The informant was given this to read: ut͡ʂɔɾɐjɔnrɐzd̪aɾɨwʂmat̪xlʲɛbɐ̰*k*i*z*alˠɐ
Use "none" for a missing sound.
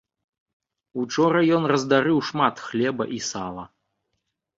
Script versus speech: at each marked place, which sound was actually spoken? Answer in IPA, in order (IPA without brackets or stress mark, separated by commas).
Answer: ʔ, s